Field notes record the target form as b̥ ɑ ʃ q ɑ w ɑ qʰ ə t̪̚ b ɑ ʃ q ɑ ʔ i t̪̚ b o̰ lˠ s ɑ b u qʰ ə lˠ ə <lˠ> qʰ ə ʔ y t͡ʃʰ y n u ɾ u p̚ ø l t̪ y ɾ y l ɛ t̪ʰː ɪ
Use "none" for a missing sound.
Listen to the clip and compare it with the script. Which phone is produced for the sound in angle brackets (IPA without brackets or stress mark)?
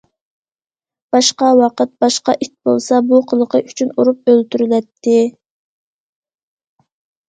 none